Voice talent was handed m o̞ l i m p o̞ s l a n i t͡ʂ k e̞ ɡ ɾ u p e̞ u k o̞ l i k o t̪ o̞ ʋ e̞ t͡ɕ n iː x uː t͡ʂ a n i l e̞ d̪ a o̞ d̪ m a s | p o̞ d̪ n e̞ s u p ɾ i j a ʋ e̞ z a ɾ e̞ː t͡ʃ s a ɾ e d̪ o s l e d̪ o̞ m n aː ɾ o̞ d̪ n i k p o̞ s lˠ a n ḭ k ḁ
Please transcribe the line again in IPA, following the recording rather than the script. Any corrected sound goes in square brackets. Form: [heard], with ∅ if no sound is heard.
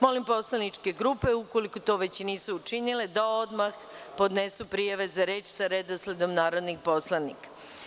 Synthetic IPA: m o̞ l i m p o̞ s l a n i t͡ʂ k e̞ ɡ ɾ u p e̞ u k o̞ l i k o t̪ o̞ ʋ e̞ t͡ɕ n iː [s] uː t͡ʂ [i] n i l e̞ d̪ a o̞ d̪ m a [x] | p o̞ d̪ n e̞ s u p ɾ i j a ʋ e̞ z a ɾ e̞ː t͡ʃ s a ɾ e d̪ o s l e d̪ o̞ m n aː ɾ o̞ d̪ n i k p o̞ s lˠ a n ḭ k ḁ